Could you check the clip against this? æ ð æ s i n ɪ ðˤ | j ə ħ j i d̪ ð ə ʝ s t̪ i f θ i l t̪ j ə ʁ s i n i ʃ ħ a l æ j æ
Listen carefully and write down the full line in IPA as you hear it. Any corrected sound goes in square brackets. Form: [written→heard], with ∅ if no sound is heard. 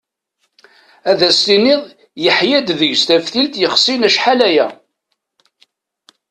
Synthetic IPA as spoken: æ ð æ s i n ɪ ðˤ | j ə ħ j [i→æ] d̪ ð ə ʝ s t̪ [i→æ] f θ i l t̪ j ə [ʁ→χ] s i n [i→æ] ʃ ħ a l æ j æ